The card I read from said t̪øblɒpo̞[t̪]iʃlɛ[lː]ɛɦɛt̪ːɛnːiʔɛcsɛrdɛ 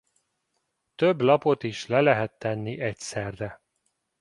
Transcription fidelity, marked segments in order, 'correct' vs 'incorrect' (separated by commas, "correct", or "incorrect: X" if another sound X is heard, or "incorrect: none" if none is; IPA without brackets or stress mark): correct, incorrect: l